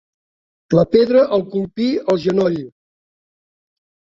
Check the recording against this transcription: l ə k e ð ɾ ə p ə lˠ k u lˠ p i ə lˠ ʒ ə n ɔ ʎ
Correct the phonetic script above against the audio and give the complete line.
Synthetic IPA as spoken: l ə p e ð ɾ ə ʔ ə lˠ k u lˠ p i ə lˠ ʒ ə n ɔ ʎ